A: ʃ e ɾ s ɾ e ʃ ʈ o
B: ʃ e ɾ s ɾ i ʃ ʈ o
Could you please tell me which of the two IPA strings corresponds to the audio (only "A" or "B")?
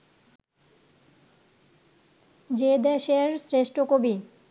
A